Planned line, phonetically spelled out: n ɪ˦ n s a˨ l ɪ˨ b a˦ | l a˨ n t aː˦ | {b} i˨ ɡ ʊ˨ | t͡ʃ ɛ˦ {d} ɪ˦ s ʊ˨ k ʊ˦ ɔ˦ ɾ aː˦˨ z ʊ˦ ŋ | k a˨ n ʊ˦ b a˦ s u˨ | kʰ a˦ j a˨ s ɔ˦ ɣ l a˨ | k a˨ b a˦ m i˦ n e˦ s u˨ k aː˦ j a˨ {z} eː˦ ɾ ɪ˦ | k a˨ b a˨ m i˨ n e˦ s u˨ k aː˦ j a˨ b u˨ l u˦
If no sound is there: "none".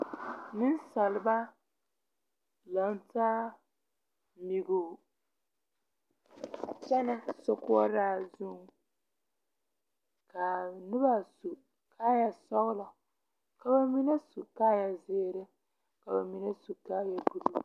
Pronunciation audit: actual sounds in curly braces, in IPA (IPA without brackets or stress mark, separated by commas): m, n, z